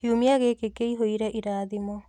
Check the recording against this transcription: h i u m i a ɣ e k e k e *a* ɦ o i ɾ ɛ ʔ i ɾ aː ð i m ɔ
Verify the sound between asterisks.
incorrect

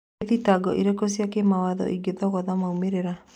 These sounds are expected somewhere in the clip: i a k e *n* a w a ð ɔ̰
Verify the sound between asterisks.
incorrect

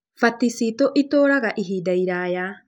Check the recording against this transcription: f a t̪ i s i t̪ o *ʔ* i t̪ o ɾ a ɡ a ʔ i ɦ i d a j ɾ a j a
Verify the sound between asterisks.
correct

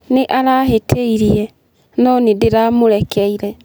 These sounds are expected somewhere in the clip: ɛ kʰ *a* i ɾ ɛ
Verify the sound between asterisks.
incorrect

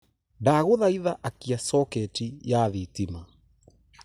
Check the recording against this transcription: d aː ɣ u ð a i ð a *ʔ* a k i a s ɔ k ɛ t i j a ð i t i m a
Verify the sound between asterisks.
correct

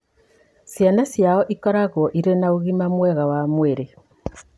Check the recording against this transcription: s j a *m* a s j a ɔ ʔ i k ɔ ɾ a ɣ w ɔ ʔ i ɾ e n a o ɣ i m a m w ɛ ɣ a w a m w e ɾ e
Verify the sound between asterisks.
incorrect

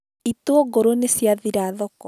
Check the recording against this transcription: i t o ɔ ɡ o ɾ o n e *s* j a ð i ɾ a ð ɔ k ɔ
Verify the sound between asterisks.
correct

